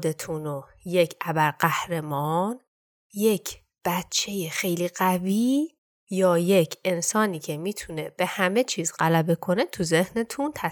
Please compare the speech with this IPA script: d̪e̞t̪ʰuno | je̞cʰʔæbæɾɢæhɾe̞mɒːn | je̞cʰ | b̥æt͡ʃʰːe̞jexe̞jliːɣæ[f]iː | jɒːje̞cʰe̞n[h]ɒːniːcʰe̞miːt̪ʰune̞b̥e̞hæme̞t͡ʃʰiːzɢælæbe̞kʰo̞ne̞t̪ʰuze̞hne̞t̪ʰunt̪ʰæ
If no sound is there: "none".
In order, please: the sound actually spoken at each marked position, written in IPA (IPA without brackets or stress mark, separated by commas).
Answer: v, s